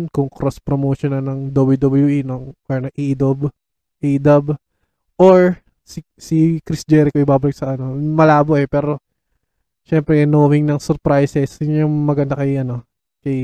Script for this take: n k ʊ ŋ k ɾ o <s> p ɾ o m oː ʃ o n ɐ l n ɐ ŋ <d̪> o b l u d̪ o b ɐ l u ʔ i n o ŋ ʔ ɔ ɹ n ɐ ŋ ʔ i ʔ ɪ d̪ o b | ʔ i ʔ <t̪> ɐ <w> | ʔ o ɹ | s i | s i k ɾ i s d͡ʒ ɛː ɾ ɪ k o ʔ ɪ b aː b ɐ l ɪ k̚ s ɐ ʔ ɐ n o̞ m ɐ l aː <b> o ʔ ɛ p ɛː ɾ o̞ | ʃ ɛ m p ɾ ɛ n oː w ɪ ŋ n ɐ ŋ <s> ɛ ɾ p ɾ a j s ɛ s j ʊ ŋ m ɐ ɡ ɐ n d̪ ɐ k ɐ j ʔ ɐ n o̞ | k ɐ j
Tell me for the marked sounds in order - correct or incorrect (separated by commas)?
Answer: correct, correct, incorrect, incorrect, correct, correct